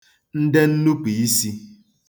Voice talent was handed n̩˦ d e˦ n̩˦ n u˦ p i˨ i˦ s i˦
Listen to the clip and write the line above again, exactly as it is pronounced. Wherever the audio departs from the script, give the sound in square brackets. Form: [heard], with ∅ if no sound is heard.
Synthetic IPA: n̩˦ d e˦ n̩˦ n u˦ p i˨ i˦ s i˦